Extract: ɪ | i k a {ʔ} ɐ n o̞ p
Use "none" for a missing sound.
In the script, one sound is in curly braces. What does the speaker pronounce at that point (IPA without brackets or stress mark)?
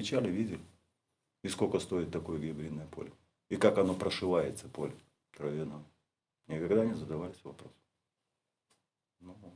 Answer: k